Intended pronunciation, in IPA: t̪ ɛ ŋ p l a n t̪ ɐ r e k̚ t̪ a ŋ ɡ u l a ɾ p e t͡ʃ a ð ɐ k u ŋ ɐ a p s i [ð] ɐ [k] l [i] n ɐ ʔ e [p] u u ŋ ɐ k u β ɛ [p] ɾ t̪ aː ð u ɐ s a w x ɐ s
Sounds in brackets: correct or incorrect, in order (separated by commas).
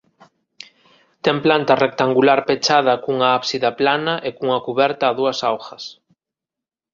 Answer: correct, incorrect, incorrect, incorrect, incorrect